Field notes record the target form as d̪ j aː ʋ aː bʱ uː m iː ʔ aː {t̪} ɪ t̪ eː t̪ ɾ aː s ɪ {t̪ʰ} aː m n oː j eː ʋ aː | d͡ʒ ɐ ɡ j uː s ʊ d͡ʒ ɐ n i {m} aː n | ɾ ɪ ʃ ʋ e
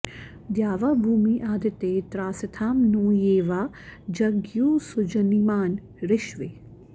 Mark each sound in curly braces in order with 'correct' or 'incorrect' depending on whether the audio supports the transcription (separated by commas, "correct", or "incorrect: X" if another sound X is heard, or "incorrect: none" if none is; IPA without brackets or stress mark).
incorrect: d̪, correct, correct